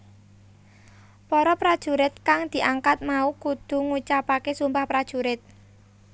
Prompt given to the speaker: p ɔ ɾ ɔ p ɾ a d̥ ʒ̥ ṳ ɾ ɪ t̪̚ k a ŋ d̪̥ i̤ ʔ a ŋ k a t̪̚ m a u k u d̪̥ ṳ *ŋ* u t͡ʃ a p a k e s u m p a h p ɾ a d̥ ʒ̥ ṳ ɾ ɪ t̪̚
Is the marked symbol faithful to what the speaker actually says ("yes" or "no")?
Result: yes